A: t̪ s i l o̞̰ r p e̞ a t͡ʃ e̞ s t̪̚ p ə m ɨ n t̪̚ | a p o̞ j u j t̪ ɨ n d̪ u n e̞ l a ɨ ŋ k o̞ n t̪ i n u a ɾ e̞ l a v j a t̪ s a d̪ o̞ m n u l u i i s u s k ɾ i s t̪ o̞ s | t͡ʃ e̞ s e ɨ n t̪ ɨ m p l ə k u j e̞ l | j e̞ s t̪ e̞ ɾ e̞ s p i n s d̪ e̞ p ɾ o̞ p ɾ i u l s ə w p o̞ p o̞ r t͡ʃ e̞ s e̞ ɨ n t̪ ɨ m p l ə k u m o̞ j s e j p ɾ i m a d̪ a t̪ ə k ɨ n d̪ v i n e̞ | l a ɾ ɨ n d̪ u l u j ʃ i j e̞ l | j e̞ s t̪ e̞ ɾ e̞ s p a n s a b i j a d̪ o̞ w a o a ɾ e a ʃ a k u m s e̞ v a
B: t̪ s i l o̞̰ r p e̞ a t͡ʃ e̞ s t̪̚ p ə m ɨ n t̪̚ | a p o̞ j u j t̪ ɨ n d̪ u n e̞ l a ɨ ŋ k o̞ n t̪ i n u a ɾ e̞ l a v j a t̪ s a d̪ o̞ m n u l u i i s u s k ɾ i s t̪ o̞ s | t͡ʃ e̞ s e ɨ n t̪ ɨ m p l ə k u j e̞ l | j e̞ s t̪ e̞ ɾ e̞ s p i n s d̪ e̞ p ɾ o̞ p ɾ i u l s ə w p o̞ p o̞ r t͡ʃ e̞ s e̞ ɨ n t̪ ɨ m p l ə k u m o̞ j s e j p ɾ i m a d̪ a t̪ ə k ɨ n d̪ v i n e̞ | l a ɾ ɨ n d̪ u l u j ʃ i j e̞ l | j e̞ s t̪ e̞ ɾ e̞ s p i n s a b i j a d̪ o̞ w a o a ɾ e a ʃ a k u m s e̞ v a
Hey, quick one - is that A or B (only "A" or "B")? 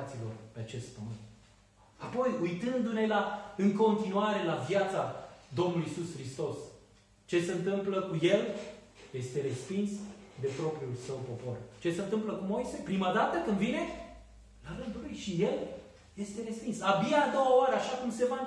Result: B